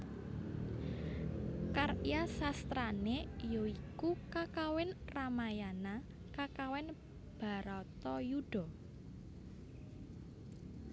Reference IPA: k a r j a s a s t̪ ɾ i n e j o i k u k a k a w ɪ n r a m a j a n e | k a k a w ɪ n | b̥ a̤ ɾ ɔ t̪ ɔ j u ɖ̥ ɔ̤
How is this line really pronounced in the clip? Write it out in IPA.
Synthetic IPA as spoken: k a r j a s a s t̪ ɾ a n e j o i k u k a k a w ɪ n r a m a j a n a | k a k a w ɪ n | b̥ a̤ ɾ ɔ t̪ ɔ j u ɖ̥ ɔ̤